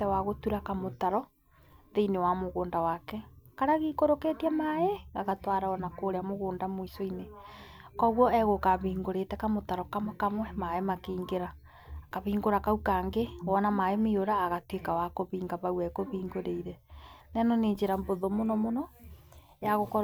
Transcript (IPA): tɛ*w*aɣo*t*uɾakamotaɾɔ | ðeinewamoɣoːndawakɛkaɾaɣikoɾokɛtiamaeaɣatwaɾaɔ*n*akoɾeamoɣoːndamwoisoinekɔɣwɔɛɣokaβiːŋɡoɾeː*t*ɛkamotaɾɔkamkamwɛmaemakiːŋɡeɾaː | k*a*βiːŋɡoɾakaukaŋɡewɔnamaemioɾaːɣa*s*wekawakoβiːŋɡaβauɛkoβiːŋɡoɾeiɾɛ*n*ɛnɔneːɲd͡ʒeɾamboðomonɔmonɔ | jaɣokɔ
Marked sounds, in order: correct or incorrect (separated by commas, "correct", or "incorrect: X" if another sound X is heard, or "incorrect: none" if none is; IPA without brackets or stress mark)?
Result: correct, correct, correct, correct, correct, incorrect: t, correct